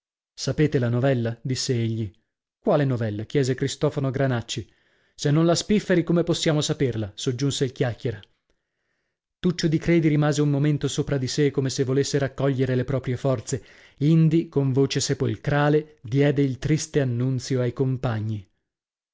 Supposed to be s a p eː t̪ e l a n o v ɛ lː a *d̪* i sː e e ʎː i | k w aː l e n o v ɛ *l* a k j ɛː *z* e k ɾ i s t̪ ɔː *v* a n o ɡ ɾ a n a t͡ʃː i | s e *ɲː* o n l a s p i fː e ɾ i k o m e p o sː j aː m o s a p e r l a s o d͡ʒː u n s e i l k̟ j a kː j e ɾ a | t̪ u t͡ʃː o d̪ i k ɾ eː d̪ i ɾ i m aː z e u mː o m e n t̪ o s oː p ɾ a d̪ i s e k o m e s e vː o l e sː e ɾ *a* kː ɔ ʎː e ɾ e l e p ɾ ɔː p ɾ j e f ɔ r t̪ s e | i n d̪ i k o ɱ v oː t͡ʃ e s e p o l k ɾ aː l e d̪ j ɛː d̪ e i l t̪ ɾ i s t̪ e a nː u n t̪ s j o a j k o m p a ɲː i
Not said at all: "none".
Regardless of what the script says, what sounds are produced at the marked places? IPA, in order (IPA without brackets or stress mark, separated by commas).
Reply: d̪, lː, z, f, nː, a